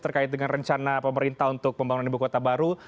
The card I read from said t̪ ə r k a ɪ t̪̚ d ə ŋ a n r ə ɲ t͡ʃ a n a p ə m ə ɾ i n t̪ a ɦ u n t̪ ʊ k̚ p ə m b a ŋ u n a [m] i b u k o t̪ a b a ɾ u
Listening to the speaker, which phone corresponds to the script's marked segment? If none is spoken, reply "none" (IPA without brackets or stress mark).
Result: n